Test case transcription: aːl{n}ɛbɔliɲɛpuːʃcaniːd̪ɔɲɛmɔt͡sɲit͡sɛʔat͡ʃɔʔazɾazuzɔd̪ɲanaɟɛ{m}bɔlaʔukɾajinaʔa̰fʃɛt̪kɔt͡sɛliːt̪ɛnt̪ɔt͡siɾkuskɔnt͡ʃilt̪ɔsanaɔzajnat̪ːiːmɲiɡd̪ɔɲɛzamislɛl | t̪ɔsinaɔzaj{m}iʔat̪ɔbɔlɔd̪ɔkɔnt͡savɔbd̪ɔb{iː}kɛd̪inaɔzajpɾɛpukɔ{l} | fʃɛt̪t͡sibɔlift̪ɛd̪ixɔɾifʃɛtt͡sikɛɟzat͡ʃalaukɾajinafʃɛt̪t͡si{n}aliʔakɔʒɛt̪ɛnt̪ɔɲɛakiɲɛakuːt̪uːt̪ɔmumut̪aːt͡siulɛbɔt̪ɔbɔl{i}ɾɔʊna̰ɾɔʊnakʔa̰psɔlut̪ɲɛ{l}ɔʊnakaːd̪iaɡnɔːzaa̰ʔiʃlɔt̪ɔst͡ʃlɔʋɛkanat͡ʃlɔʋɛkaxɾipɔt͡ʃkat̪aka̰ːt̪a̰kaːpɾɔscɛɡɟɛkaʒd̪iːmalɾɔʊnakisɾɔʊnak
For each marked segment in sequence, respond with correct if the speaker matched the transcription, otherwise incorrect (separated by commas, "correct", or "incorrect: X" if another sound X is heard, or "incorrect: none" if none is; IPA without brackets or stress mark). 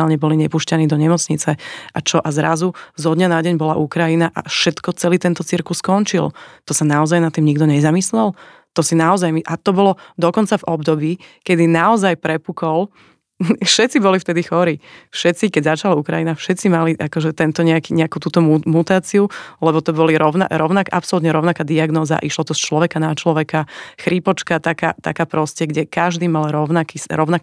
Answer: incorrect: ɲ, incorrect: ɲ, correct, correct, correct, incorrect: m, correct, incorrect: ɾ